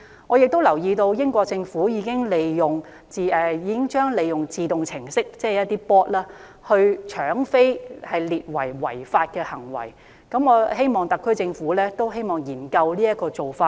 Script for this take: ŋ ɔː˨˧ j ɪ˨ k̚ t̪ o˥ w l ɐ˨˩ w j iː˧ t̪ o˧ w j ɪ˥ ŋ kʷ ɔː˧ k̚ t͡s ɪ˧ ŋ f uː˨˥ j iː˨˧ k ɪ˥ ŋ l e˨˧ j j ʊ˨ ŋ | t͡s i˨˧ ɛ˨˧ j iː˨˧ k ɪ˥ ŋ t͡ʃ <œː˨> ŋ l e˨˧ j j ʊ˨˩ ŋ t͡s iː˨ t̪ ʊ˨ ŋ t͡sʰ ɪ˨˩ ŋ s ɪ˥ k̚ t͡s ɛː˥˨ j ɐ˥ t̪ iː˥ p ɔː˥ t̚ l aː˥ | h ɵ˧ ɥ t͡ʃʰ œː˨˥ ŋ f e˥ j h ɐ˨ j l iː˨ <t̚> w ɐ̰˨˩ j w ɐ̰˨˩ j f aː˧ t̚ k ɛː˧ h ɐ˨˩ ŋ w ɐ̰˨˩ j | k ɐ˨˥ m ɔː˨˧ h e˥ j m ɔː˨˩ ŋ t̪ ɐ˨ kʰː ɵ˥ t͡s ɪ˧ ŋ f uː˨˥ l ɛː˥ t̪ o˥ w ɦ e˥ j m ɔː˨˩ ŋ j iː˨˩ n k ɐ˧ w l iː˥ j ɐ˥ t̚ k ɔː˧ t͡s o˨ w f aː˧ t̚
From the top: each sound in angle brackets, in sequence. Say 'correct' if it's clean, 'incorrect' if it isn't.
incorrect: œː˥, correct

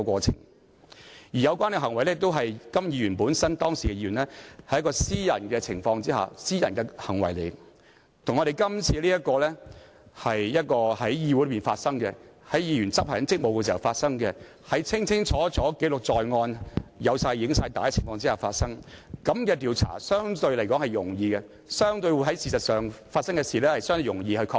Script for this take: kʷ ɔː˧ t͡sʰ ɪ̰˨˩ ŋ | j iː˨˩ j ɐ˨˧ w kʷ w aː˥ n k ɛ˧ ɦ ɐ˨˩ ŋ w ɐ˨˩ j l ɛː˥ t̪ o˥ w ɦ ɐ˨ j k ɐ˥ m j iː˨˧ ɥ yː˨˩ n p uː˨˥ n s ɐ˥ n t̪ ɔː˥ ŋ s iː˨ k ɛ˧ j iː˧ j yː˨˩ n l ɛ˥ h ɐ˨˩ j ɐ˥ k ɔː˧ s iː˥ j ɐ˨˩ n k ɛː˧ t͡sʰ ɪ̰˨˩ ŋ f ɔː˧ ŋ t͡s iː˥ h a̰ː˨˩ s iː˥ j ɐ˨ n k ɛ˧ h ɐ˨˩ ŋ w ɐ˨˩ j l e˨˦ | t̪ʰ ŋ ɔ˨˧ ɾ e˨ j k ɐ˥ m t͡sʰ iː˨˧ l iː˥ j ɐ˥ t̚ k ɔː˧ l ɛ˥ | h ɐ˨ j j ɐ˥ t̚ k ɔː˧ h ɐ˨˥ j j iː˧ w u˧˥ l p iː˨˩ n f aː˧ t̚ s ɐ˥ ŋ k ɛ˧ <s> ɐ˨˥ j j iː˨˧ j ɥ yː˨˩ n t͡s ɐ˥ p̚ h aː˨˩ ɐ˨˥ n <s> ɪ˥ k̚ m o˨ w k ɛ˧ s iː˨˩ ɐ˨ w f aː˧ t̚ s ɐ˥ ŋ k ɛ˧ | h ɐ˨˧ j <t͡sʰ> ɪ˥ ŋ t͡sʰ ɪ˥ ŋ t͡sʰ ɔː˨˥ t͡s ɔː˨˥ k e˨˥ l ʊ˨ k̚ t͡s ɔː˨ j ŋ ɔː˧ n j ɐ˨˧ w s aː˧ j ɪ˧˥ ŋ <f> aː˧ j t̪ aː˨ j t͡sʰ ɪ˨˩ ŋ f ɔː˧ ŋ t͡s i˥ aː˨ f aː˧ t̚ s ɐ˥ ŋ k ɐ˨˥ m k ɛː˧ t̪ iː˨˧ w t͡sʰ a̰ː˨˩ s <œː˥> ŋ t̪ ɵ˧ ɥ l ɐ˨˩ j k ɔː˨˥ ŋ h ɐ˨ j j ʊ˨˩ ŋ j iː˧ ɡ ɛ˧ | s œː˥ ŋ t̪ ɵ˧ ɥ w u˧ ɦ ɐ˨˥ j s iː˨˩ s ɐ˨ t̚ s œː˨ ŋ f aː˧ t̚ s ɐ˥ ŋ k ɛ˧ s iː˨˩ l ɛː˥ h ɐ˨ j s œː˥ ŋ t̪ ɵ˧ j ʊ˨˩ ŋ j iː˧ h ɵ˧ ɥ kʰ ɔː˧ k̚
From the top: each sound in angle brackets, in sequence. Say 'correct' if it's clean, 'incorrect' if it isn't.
incorrect: h, incorrect: t͡s, correct, incorrect: s, correct

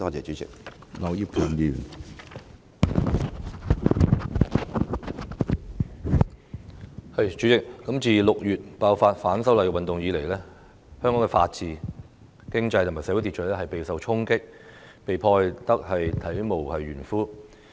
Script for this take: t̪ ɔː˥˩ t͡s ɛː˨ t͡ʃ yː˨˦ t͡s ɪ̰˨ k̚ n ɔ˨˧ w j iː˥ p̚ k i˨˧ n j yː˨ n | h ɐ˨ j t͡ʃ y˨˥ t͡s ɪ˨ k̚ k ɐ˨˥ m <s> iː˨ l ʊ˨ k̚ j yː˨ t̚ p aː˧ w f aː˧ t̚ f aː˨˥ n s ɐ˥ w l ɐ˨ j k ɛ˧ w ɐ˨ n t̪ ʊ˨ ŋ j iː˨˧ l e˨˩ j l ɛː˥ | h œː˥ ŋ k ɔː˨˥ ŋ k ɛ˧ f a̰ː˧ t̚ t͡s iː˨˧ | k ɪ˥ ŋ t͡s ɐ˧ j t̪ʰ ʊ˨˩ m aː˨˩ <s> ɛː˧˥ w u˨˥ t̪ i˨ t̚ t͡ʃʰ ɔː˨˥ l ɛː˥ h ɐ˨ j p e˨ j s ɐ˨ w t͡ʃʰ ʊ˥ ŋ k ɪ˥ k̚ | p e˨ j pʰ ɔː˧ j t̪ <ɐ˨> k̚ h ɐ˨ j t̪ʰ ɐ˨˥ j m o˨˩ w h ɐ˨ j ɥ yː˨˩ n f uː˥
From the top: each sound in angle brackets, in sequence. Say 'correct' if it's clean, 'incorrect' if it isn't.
incorrect: t͡s, correct, incorrect: ɐ˥

